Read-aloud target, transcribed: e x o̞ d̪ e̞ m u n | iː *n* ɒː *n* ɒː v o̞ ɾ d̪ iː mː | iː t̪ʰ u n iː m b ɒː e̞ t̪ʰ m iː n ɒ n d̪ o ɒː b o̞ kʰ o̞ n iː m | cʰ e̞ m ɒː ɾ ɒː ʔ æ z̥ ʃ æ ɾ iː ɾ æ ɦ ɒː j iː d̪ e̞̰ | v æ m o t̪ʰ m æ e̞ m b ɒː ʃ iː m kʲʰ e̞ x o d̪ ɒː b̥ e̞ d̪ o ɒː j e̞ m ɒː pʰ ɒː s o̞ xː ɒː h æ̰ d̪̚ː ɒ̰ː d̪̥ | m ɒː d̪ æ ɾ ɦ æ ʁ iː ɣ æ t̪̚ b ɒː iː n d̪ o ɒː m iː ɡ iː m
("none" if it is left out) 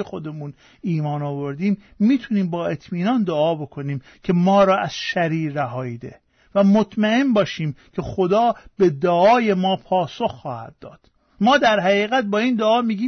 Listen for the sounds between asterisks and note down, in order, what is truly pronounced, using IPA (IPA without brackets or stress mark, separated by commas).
m, n